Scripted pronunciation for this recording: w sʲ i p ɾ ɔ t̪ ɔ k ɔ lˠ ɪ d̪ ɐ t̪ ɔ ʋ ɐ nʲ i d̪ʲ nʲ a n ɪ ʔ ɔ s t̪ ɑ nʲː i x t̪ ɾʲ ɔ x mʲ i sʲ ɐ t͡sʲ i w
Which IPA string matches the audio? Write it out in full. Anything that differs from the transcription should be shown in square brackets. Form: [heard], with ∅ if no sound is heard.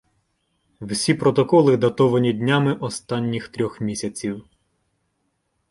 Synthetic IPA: w sʲ i p ɾ ɔ t̪ ɔ k ɔ lˠ ɪ d̪ ɐ t̪ ɔ ʋ ɐ nʲ i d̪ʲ nʲ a [m] ɪ ʔ ɔ s t̪ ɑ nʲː i x t̪ ɾʲ ɔ x mʲ i sʲ ɐ t͡sʲ i w